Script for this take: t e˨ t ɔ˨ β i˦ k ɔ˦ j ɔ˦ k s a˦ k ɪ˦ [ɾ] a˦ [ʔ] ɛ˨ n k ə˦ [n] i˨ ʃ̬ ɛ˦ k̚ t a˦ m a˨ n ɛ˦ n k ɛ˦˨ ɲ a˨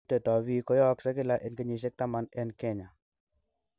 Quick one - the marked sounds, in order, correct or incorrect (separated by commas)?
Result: incorrect, correct, incorrect